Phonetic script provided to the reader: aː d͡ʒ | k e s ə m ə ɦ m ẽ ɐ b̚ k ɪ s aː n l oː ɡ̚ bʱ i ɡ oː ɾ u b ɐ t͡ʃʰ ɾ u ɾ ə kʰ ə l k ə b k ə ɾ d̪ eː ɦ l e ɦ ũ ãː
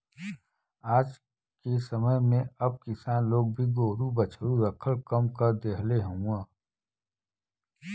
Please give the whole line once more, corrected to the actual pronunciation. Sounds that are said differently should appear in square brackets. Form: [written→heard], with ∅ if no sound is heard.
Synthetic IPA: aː d͡ʒ | k e s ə m ə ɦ m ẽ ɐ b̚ k ɪ s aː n l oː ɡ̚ bʱ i ɡ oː ɾ u b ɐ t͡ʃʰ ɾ u ɾ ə kʰ ə l k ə [b→m] k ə ɾ d̪ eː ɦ l e ɦ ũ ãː